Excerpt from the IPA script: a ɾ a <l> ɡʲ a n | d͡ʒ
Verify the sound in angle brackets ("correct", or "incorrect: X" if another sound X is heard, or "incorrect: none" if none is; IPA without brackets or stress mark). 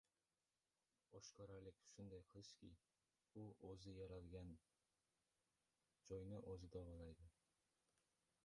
correct